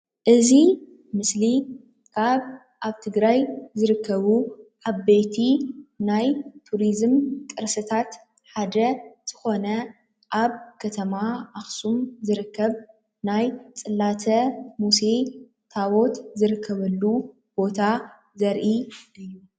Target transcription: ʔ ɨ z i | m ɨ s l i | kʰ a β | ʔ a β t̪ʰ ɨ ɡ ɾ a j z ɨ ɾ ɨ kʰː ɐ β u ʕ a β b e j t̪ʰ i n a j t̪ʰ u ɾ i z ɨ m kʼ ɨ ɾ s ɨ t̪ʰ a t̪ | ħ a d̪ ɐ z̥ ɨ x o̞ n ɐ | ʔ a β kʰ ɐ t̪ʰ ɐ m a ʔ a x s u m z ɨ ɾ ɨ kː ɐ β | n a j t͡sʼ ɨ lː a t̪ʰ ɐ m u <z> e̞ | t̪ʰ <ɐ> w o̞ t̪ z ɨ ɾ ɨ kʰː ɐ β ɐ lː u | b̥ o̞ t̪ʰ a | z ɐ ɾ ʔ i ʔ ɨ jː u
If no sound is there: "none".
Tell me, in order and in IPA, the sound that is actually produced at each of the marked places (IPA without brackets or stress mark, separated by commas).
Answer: s, a